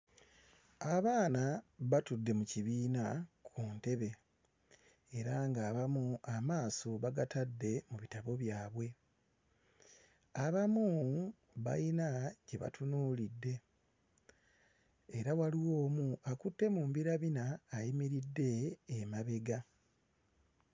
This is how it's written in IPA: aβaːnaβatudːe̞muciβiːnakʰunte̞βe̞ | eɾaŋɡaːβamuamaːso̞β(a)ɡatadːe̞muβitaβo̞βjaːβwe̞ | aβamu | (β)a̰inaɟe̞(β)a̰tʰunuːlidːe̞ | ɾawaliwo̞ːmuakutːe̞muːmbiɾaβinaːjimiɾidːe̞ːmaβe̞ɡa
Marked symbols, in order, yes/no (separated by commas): yes, yes, yes